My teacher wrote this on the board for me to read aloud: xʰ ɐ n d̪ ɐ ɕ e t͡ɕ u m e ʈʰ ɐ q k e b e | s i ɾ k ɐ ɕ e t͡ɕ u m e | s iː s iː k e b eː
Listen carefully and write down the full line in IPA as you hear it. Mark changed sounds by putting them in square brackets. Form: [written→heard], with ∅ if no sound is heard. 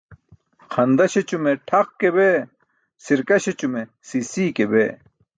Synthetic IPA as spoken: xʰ ɐ n d̪ ɐ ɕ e t͡ɕ u m e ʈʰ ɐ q k e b e | s i ɾ k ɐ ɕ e t͡ɕ u m e | s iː s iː k e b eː

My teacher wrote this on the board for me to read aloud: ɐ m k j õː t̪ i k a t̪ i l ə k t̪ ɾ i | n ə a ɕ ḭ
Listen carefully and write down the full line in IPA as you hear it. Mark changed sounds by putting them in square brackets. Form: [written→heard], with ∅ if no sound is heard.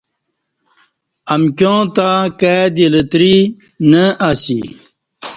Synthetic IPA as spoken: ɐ m k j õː t̪ [i→a] k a [t̪→d̪] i l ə [k→∅] t̪ ɾ i | n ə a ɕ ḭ

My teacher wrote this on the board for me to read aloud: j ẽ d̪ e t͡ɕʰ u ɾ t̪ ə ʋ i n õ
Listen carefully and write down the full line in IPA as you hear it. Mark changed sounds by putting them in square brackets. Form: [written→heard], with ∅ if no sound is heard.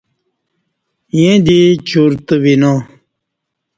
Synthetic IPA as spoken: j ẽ d̪ [e→i] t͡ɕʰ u ɾ t̪ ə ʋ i n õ

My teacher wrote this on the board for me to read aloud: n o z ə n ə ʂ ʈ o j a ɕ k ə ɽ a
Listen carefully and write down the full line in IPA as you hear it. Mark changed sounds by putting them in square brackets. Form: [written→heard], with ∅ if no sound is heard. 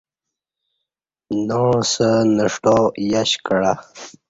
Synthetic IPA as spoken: n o [z→s] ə n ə ʂ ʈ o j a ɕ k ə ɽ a

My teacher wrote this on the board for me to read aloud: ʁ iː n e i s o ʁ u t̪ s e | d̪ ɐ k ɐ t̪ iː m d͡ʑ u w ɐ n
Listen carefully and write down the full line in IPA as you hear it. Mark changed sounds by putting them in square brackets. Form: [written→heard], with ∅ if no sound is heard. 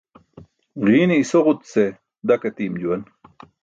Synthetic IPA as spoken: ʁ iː n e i s o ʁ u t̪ s e | d̪ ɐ k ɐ t̪ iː m d͡ʑ u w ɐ n

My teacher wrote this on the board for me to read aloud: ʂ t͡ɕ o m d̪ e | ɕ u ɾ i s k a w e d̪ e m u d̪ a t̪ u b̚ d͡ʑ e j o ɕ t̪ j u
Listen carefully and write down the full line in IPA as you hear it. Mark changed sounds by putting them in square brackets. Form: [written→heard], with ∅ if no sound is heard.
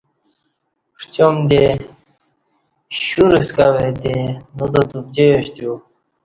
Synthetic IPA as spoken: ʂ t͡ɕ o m d̪ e | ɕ u ɾ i s k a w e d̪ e [m→n] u d̪ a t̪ u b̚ d͡ʑ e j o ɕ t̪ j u

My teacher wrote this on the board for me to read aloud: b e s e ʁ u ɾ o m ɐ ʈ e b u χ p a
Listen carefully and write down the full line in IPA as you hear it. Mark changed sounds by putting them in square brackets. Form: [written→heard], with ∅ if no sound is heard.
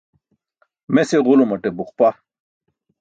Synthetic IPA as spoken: [b→m] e s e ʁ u [ɾ→l] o m ɐ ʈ e b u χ p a

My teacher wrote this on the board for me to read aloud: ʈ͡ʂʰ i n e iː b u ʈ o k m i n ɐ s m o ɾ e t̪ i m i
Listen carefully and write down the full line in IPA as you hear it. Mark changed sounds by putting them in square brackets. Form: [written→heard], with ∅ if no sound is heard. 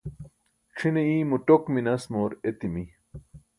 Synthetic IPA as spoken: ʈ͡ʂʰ i n e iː [b→m] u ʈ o k m i n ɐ s m o ɾ e t̪ i m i

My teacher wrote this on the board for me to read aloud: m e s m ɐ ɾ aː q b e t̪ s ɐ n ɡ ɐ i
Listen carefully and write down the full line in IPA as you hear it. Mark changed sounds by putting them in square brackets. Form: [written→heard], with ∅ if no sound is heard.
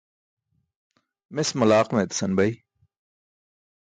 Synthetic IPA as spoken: m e s m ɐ [ɾ→l] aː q [b→m] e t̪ s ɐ n [ɡ→b] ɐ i

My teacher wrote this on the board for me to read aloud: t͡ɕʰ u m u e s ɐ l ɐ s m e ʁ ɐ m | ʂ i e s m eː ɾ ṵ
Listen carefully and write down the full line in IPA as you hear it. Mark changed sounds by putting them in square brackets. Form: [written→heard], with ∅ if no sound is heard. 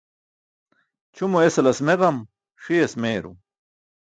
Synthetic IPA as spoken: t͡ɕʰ u m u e s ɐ l ɐ s m e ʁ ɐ m | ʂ i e s m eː ɾ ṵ

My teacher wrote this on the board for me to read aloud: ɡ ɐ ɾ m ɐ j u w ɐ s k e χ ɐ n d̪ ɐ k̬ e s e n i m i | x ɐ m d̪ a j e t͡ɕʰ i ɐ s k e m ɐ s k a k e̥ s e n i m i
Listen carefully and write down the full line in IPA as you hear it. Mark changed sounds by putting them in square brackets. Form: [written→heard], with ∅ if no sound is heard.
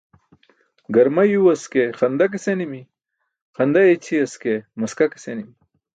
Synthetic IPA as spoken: ɡ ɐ ɾ m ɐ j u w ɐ s k e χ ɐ n d̪ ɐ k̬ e s e n i m i | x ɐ [m→n] d̪ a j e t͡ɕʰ i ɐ s k e m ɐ s k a k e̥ s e n i m i

